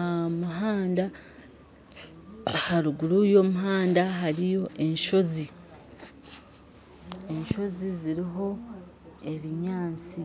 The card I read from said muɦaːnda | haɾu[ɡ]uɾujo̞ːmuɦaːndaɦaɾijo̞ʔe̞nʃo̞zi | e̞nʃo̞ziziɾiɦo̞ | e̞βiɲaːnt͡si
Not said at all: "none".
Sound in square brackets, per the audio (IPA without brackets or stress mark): ɡ